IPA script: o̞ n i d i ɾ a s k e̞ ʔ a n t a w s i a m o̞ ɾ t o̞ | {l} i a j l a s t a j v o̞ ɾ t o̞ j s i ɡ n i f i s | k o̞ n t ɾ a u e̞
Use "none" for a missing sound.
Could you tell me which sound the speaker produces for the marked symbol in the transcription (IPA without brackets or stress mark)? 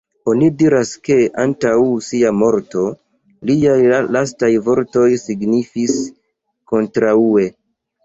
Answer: l